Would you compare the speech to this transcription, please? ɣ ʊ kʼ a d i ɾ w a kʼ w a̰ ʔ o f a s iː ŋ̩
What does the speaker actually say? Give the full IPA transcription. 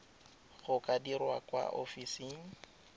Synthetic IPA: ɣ ʊ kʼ a d i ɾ w a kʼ w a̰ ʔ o f i s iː ŋ̩